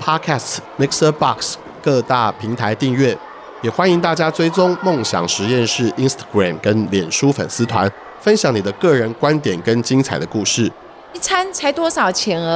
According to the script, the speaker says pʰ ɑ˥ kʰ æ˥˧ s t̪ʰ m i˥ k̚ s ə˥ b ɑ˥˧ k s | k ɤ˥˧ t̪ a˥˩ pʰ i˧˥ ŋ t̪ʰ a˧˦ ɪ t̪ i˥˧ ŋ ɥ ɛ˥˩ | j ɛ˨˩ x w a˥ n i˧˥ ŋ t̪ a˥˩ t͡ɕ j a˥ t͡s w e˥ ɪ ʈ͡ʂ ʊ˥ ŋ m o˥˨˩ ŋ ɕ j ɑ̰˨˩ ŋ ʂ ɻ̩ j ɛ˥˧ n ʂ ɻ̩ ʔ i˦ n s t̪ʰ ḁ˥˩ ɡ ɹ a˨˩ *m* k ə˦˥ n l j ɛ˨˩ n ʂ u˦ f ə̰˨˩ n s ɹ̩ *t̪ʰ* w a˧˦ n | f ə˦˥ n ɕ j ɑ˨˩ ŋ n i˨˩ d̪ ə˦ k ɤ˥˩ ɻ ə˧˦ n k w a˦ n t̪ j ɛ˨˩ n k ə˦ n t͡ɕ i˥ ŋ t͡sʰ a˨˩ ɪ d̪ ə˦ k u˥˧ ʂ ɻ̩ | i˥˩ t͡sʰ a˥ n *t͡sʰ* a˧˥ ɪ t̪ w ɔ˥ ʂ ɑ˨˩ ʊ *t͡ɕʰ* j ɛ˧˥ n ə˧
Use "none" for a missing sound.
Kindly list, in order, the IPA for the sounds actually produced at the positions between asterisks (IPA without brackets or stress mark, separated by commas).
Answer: m, t̪ʰ, t͡sʰ, t͡ɕʰ